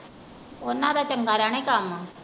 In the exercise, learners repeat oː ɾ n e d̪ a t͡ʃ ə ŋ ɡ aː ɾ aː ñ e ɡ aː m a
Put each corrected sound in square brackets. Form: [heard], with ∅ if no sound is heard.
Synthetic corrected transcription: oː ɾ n [a] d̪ a t͡ʃ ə ŋ ɡ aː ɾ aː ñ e [k] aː m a